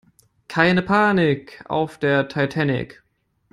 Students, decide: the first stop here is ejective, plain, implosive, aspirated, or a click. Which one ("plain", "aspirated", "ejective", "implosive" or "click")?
aspirated